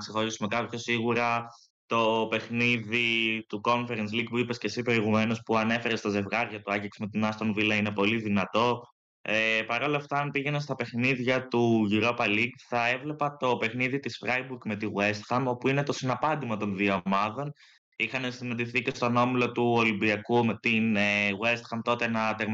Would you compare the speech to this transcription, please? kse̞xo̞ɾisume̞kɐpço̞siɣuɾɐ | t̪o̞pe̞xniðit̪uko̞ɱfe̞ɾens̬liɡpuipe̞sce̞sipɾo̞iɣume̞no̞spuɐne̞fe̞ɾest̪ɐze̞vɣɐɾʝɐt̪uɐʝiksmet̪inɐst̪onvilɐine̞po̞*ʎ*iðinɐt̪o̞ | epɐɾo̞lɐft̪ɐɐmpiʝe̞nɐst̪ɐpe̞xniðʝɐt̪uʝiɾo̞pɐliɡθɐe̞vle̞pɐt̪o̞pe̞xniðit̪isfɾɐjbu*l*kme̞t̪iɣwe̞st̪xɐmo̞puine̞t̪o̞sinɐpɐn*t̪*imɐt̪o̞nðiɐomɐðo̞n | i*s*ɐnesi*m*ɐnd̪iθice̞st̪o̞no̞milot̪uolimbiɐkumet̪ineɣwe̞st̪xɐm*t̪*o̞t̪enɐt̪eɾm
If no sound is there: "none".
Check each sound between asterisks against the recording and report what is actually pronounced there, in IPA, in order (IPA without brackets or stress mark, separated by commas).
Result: l, ɾ, d̪, x, n, t̪